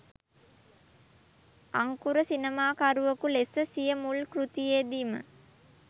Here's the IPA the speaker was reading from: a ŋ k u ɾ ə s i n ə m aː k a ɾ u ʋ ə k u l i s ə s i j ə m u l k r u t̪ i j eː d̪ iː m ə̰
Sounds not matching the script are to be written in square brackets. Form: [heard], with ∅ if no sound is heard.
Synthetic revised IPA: a ŋ k u ɾ ə s i n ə m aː k a ɾ u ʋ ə k u l [e] s ə s i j ə m u l k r u t̪ i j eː d̪ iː m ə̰